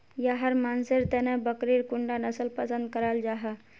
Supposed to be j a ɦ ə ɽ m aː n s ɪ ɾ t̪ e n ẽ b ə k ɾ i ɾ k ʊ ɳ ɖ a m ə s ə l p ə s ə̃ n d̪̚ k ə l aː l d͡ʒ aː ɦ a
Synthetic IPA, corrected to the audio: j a ɦ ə ɾ m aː n s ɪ ɾ t̪ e n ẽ b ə k ɾ i ɾ k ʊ ɳ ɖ a n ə s ə l p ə s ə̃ n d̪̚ k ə ɾ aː l d͡ʒ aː ɦ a